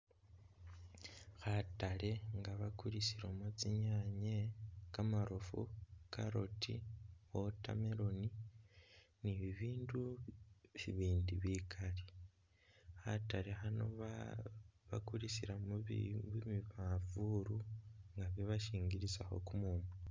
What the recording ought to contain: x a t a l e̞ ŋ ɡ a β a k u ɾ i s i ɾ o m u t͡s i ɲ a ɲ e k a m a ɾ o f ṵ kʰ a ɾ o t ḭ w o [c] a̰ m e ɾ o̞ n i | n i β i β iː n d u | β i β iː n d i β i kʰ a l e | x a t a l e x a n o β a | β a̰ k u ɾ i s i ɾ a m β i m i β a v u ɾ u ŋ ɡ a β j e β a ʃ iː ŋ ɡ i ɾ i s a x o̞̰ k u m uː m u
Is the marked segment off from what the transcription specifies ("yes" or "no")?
yes